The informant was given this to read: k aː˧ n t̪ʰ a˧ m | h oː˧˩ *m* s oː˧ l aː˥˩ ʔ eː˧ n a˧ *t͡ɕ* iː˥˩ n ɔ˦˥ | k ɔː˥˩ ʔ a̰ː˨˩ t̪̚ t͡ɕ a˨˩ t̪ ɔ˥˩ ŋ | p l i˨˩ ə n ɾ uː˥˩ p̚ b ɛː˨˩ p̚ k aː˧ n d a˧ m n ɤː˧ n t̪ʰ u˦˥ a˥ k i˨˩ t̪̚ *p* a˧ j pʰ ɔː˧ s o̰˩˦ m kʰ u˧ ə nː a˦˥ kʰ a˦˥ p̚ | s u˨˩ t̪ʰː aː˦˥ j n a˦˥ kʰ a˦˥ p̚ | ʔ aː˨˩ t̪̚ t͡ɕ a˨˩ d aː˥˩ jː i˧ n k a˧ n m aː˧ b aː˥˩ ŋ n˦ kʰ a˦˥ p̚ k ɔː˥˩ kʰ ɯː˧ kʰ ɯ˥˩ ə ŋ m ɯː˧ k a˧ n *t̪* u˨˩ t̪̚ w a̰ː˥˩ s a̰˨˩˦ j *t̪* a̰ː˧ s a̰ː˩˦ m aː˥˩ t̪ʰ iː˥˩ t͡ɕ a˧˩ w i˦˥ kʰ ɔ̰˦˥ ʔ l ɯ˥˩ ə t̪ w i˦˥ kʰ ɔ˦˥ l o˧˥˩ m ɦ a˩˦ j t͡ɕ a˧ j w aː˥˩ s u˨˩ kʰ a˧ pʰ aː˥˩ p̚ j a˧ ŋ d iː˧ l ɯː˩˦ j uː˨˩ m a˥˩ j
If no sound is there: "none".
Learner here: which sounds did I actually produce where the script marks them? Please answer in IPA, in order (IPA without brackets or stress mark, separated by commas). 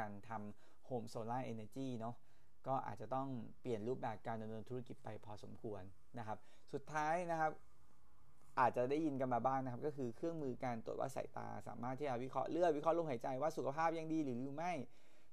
m, t͡ɕ, p, t̪, t̪